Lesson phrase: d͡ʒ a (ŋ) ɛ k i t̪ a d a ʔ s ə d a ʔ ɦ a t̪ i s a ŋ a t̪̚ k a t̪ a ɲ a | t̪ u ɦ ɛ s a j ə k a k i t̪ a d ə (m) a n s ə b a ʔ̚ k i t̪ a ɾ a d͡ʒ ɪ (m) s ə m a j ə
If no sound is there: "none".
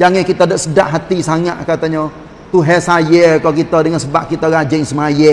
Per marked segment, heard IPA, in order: ŋ, ŋ, ŋ

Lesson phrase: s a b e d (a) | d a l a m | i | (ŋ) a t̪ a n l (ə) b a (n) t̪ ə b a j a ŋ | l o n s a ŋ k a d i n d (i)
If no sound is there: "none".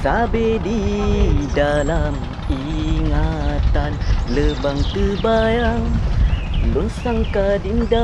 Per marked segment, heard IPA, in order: i, ŋ, ə, ŋ, a

